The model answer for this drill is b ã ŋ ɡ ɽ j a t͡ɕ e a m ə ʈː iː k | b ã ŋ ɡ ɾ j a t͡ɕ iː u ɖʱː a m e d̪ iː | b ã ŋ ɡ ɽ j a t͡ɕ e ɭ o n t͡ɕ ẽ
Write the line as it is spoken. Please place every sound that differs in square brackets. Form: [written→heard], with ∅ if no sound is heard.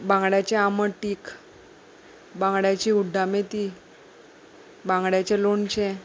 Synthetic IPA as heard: b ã ŋ ɡ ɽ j a t͡ɕ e a m ə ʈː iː k | b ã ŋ ɡ [ɾ→ɽ] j a t͡ɕ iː u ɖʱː a m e [d̪→t̪] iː | b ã ŋ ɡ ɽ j a t͡ɕ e [ɭ→l] o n t͡ɕ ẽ

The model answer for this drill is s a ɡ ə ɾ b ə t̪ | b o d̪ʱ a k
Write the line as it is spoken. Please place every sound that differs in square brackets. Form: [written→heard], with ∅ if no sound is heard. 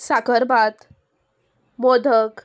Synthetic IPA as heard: s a [ɡ→k] ə ɾ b [ə→a] t̪ | [b→m] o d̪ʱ [a→ə] k

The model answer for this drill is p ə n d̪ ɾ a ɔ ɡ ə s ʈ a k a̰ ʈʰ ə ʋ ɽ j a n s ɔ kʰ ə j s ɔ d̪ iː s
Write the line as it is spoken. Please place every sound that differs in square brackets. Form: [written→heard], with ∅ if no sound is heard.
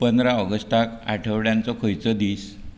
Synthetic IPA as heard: p ə n d̪ ɾ a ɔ ɡ ə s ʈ a k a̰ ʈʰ ə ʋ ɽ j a n [s→t͡s] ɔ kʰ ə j [s→t͡s] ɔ d̪ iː s

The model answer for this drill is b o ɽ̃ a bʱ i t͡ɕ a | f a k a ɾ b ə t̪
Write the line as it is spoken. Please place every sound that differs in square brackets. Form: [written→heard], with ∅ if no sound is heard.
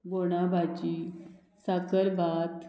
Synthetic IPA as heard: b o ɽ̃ a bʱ [i→a] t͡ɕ [a→i] | [f→s] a k [a→ə] ɾ b [ə→a] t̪

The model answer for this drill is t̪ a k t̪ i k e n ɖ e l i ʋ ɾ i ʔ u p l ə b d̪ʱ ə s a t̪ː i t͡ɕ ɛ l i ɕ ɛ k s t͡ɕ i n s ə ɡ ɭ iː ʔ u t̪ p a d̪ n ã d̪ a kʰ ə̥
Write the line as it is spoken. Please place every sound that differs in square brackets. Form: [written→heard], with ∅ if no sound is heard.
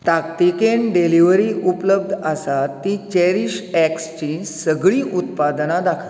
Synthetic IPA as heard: t̪ a k t̪ i k e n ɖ e l i ʋ ɾ i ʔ u p l ə b d̪ʱ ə s a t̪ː i t͡ɕ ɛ [l→ɾ] i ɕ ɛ k s t͡ɕ i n s ə ɡ ɭ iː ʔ u t̪ p a d̪ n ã d̪ a kʰ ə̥

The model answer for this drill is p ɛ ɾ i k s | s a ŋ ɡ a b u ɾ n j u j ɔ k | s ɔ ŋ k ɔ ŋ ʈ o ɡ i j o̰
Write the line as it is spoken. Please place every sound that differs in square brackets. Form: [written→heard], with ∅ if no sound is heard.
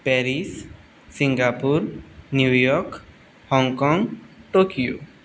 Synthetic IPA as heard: p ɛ ɾ i [k→∅] s | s [a→i] ŋ ɡ a [b→p] u ɾ n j u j ɔ k | [s→h] ɔ ŋ k ɔ ŋ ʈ o [ɡ→k] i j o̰

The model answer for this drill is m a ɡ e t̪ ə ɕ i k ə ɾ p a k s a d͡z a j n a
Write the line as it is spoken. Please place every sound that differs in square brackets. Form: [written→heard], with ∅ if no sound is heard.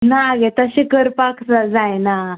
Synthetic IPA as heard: [m→n] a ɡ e t̪ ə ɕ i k ə ɾ p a k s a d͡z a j n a

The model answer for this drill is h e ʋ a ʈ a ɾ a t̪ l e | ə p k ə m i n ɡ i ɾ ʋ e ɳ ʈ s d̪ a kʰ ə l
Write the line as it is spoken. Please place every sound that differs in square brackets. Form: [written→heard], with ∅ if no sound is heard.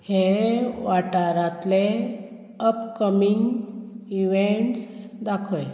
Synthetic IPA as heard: h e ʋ a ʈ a ɾ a t̪ l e | ə p k ə m i [n→ŋ] ɡ i [ɾ→∅] ʋ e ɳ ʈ s d̪ a kʰ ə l

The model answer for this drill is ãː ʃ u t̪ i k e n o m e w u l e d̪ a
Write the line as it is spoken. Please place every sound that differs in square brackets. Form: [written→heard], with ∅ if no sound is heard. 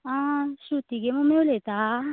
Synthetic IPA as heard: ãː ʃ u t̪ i [k→ɡ] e [n→m] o m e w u l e [d̪→t̪] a

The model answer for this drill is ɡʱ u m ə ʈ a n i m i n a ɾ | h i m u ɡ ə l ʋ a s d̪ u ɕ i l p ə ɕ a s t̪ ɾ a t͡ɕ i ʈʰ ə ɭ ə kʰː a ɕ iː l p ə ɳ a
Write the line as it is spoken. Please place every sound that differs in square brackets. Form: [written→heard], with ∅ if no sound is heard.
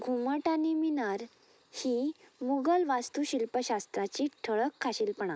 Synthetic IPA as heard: ɡʱ u m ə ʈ a n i m i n a ɾ | h i m u ɡ ə l ʋ a s [d̪→t̪] u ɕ i l p ə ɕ a s t̪ ɾ a t͡ɕ i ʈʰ ə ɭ ə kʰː a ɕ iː l p ə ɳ a

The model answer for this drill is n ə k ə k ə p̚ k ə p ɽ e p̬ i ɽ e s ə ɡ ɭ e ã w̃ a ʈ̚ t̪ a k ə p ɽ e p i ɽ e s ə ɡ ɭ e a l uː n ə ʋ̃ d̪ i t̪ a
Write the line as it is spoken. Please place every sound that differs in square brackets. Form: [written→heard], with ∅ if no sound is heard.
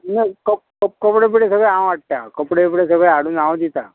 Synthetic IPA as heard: n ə k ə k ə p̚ k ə p ɽ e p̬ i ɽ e s ə ɡ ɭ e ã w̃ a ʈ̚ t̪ a k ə p ɽ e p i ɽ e s ə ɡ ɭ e a [l→ɽ] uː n [ə→a] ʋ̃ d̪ i t̪ a

